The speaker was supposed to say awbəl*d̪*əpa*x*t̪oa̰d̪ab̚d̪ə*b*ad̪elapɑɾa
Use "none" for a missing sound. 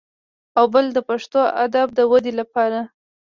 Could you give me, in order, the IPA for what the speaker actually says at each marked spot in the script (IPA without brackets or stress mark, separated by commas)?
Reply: d̪, ʂ, w